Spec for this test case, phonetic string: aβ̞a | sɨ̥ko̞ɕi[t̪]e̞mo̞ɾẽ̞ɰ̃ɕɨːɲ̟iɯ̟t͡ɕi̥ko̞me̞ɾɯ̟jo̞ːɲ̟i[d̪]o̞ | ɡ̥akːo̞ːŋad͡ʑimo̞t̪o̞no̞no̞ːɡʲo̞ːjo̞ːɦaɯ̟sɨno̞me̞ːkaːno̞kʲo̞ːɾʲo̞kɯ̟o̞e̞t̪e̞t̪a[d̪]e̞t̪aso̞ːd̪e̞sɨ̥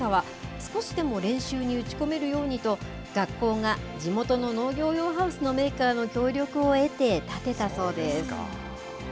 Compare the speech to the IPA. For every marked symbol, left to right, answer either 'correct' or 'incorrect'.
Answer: incorrect: d̪, incorrect: t̪, incorrect: t̪

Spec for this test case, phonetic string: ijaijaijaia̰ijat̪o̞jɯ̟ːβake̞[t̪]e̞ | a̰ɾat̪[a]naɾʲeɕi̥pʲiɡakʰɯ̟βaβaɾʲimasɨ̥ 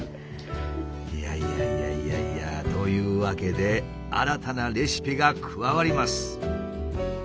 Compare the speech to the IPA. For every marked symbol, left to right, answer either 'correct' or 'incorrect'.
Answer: incorrect: d̪, correct

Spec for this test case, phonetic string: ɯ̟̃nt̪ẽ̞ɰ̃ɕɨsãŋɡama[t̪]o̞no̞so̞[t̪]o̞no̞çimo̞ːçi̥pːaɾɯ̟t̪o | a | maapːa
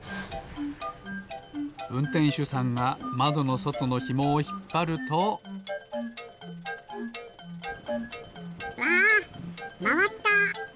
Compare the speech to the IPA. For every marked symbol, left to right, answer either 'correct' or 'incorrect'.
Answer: incorrect: d̪, correct

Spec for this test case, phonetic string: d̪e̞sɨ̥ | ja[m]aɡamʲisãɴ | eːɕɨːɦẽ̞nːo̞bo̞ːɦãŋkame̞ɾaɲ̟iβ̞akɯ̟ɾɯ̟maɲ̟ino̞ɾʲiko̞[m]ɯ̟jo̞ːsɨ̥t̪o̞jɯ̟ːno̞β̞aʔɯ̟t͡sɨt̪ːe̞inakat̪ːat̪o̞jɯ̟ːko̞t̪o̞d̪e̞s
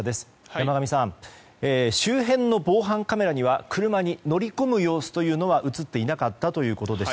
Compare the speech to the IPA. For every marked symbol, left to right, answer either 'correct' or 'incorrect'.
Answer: correct, correct

